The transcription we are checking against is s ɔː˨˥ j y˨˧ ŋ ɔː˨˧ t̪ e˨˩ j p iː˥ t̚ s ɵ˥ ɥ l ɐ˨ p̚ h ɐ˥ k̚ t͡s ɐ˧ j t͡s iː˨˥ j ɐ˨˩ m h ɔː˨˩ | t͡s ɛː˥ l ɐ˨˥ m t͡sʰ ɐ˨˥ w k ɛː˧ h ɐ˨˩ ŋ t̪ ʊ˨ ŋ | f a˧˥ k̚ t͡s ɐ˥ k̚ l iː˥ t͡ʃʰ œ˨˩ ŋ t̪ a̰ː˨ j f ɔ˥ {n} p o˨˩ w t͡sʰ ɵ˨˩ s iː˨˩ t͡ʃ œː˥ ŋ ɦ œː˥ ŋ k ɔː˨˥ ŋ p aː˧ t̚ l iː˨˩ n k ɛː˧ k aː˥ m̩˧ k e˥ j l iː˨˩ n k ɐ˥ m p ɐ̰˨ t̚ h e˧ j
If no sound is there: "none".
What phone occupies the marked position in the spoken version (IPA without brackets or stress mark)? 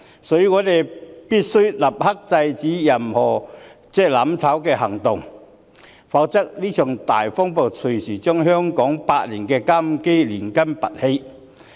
ŋ